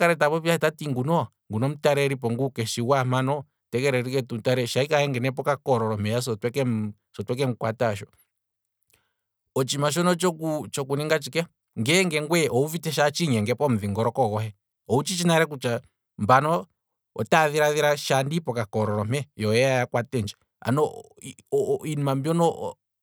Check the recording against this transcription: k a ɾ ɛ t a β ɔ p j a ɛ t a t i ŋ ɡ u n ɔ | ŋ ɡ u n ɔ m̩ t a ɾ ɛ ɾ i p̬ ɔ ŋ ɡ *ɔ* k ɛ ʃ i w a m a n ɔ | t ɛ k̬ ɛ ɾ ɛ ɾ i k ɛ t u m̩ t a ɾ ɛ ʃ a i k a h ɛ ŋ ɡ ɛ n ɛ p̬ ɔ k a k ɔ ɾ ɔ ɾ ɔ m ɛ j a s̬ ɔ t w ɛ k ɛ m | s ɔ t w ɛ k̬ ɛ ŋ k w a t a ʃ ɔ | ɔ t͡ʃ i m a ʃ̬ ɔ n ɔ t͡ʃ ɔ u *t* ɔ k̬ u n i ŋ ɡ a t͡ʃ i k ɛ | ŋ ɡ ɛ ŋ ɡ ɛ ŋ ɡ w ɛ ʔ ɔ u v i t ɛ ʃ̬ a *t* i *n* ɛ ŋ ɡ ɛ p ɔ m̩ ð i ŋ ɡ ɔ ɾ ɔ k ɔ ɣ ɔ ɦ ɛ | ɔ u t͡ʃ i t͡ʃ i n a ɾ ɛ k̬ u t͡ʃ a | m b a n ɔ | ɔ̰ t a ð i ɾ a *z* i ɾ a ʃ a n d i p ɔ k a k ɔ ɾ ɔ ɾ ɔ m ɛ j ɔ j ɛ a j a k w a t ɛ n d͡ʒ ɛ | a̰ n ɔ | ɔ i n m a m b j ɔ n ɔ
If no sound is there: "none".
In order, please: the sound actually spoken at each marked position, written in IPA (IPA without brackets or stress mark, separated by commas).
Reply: u, t͡ʃ, t͡ʃ, ɲ, ð